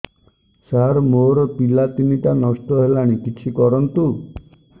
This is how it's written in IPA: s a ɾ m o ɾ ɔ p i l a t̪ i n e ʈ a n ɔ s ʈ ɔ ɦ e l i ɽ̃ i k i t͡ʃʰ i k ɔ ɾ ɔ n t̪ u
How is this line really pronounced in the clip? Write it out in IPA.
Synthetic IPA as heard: s a ɾ m o ɾ ɔ p i l a t̪ i n i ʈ a n ɔ s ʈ ɔ ɦ e l a ɽ̃ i k i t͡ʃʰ i k ɔ ɾ ɔ n t̪ u